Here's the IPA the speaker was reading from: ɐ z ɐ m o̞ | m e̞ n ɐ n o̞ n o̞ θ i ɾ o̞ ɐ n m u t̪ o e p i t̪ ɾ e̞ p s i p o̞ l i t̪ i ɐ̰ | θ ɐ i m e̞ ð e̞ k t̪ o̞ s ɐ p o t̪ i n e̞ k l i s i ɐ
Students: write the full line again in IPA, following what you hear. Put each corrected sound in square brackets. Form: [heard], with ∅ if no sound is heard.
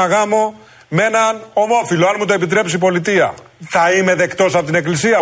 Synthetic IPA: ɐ [ɣ] ɐ m o̞ | m e̞ n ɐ n o̞ [m] o̞ [f] i [l] o̞ ɐ n m u t̪ o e p i t̪ ɾ e̞ p s i p o̞ l i t̪ i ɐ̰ | θ ɐ i m e̞ ð e̞ k t̪ o̞ s ɐ p o t̪ i n e̞ k l i s i ɐ